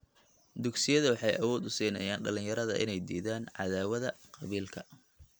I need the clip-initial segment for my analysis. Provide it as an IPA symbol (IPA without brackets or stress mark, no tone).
d̪